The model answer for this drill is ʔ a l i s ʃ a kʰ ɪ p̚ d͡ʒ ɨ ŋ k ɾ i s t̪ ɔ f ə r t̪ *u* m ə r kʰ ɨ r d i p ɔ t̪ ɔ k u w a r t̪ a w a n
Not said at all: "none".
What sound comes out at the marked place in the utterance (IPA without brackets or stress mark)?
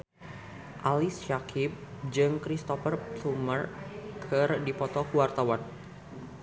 u